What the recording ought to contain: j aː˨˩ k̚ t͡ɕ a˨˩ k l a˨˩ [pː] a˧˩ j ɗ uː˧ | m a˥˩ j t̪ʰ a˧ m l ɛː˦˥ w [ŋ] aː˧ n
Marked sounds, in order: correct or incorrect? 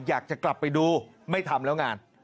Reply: correct, correct

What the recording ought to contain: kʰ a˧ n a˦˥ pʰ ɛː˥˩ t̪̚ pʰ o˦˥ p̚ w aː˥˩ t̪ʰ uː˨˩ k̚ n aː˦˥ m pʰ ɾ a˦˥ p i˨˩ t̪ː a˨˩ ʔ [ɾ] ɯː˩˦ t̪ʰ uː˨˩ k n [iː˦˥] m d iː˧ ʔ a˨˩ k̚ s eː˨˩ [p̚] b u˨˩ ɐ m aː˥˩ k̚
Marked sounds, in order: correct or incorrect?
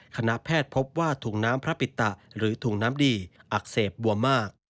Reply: correct, incorrect: aː˦˥, correct

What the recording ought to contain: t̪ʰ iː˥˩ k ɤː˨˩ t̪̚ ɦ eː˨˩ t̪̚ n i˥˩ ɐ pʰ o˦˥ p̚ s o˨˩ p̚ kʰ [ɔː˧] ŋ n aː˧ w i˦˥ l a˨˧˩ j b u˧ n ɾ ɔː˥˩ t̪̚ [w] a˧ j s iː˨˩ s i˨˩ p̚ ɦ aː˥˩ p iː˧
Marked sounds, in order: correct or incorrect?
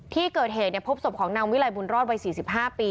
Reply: incorrect: ɔː˩˦, correct

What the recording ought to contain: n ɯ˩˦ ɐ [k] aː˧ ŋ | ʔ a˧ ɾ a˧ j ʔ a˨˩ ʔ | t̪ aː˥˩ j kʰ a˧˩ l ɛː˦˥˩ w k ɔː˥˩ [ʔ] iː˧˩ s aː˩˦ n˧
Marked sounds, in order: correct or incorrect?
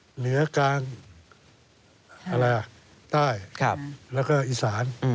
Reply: correct, correct

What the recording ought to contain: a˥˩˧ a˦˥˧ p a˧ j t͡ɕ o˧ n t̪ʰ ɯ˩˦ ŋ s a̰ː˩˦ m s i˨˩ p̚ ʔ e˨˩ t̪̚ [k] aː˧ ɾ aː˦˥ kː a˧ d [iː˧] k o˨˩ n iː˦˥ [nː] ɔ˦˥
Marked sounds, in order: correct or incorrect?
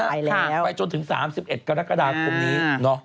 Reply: correct, incorrect: aː˧, incorrect: n

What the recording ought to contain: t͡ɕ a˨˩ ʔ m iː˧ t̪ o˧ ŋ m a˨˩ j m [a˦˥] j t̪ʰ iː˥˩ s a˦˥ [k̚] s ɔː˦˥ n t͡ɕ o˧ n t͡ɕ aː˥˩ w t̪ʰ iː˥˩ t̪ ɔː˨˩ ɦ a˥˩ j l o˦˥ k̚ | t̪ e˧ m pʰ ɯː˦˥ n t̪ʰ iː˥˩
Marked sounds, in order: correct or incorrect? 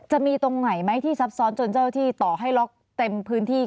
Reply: correct, incorrect: p̚

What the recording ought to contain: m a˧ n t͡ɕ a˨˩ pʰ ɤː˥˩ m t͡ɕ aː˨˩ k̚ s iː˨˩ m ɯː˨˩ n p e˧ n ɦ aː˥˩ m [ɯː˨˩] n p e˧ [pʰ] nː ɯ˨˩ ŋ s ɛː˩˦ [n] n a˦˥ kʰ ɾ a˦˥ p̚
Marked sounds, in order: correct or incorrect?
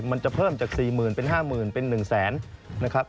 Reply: correct, incorrect: none, correct

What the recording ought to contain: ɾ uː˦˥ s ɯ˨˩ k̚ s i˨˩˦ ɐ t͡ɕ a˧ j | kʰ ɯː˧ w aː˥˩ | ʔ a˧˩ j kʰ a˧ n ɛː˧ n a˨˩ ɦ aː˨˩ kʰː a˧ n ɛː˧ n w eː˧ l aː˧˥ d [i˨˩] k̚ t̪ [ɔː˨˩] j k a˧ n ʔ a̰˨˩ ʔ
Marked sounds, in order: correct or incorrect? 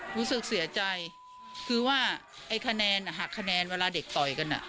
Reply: incorrect: e˨˩, incorrect: ɔ˨˩

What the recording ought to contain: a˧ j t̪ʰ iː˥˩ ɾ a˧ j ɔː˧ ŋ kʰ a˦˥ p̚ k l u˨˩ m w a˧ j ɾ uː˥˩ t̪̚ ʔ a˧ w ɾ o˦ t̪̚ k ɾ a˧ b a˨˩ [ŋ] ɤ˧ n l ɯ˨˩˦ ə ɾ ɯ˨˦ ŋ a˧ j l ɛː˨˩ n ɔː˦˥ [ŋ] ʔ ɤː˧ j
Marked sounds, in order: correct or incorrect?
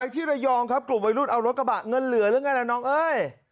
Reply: correct, correct

